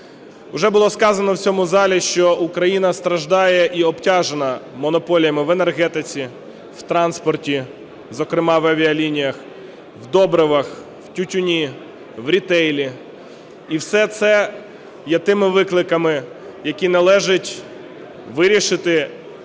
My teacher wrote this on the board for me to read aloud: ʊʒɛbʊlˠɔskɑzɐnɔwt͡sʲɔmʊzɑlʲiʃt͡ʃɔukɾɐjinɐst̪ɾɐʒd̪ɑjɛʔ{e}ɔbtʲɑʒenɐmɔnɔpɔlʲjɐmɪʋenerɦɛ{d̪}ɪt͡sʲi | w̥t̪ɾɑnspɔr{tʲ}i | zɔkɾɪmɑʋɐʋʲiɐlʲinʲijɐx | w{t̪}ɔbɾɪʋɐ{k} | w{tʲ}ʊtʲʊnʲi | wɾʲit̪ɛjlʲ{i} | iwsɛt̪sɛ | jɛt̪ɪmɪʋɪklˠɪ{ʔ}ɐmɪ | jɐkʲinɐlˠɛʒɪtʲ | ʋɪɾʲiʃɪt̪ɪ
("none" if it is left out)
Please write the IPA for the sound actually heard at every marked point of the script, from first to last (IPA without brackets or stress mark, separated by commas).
i, t̪, tʲ, d̪, x, tʲ, i, k